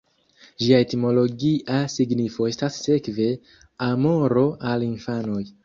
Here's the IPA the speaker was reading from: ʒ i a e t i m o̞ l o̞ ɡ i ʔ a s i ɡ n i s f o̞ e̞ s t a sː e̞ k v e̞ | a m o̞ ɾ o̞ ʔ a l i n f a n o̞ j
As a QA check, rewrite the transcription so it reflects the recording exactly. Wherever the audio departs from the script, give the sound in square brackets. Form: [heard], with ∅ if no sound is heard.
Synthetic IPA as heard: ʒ i a e t i m o̞ l o̞ ɡ i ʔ a s i ɡ n i [∅] f o̞ e̞ s t a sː e̞ k v e̞ | a m o̞ ɾ o̞ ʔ a l i n f a n o̞ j